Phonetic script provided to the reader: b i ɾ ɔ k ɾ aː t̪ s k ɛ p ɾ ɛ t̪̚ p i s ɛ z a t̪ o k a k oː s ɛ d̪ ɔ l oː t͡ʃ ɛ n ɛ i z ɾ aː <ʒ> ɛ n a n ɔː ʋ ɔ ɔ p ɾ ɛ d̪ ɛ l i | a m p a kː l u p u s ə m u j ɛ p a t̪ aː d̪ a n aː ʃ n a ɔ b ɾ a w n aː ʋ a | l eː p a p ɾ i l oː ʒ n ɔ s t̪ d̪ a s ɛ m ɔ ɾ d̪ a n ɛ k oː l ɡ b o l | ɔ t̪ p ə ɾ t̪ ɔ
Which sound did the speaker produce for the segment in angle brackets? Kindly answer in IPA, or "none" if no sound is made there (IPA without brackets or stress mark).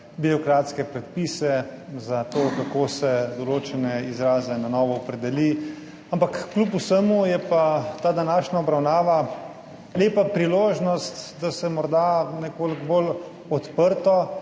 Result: z